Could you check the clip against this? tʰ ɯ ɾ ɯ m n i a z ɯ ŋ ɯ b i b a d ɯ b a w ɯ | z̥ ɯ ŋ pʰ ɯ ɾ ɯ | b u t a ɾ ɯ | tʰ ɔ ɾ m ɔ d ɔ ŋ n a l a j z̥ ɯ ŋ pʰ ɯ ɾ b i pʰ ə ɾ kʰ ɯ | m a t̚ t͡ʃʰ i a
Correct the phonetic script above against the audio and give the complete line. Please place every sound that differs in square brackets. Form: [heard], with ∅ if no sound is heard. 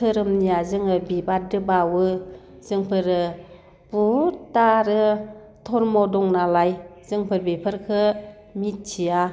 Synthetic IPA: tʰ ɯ ɾ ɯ m n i a z ɯ ŋ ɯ b i b a d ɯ b a w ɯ | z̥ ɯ ŋ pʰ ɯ ɾ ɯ | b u t a ɾ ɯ | tʰ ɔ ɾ m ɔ d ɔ ŋ n a l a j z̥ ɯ ŋ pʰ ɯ ɾ b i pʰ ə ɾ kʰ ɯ | m [i] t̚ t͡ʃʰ i a